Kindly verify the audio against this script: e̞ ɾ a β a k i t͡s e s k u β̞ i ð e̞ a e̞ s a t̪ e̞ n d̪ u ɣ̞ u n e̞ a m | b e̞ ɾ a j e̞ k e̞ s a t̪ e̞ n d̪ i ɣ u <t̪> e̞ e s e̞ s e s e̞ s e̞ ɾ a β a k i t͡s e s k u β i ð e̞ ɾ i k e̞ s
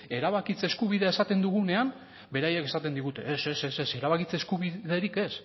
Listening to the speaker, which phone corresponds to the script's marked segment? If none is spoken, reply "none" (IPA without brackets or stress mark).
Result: t̪